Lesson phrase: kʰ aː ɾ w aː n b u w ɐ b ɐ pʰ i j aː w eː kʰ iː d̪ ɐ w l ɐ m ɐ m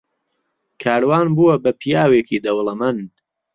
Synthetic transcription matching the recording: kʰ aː ɾ w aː n b u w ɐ b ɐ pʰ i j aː w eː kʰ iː d̪ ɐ w l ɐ m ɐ n

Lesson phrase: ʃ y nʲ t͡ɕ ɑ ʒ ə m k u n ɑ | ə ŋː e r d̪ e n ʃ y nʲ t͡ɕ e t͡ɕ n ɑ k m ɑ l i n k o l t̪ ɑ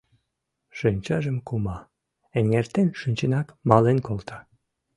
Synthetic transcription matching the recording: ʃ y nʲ t͡ɕ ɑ ʒ ə m k u m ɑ | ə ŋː e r t̪ e n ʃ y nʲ t͡ɕ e n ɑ k m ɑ l e n k o l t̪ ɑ

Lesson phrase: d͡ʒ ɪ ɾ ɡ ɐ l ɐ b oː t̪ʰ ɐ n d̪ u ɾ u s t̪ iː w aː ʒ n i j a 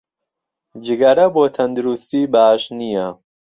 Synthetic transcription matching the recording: d͡ʒ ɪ ɡ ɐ ɾ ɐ b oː t̪ʰ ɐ n d̪ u ɾ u s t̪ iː b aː ʃ n i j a

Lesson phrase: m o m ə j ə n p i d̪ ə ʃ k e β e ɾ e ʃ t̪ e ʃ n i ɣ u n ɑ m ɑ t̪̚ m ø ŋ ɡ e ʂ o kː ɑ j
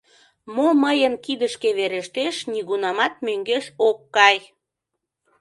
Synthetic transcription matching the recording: m o m ə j ə n k i d̪ ə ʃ k e β e ɾ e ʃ t̪ e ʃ n i ɣ u n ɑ m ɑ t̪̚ m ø ŋ ɡ e ʃ o kː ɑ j

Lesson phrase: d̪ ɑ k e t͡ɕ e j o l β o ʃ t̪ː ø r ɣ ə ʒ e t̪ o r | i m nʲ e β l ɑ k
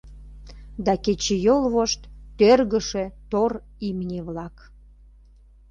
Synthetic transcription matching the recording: d̪ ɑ k e t͡ɕ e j o l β o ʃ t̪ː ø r ɣ ə ʃ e t̪ o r | i m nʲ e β l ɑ k

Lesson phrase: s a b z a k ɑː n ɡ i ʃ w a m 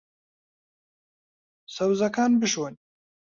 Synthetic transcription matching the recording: s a w z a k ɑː n b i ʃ w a n

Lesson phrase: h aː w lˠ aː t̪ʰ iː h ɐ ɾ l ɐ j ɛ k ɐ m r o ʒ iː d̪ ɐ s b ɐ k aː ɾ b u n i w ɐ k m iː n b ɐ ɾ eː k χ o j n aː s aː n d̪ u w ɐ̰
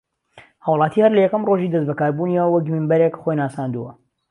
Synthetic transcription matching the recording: h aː w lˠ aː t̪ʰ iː h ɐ ɾ l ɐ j ɛ k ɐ m r o ʒ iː d̪ ɐ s b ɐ k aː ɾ b u n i w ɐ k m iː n b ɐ ɾ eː k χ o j n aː s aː n d̪ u w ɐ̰

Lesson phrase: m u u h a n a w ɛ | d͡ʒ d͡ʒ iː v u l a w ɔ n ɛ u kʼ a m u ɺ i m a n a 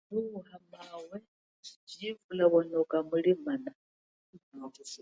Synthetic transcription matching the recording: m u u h a m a w ɛ | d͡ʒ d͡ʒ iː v u l a β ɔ n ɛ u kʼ a m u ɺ i m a n a

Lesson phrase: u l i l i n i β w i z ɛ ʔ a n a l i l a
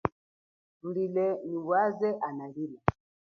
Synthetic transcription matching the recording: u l i l ɛ n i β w a z ɛ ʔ a n a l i l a

